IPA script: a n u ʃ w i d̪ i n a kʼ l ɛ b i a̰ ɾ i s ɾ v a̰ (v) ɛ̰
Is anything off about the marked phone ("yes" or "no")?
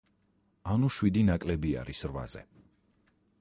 yes